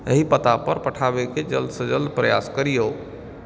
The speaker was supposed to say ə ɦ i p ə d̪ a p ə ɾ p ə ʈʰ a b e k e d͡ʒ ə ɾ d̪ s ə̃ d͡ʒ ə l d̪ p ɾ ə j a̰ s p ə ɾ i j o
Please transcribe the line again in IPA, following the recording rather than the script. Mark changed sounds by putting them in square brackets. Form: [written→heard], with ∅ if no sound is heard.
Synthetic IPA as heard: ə ɦ i p ə [d̪→t̪] a p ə ɾ p ə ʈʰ a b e k e d͡ʒ ə [ɾ→l] d̪ s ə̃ d͡ʒ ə l d̪ p ɾ ə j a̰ s [p→k] ə ɾ i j o